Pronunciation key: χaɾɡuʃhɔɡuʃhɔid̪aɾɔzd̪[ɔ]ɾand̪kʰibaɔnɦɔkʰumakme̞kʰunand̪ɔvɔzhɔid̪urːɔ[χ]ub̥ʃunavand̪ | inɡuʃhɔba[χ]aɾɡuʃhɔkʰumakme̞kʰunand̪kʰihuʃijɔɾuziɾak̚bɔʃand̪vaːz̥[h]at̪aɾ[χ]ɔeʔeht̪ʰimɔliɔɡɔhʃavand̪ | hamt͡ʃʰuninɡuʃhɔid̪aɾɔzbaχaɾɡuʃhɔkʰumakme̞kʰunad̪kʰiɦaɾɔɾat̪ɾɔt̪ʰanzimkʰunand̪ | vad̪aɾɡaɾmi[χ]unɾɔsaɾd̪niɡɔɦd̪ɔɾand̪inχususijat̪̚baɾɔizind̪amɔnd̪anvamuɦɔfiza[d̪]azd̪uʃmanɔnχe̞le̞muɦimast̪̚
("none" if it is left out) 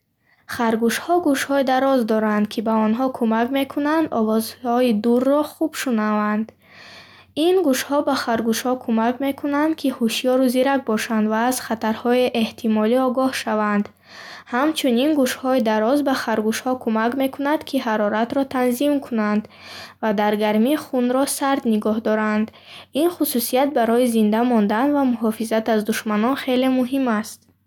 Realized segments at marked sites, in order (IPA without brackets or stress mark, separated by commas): ɔ, χ, χ, χ, h, χ, t̪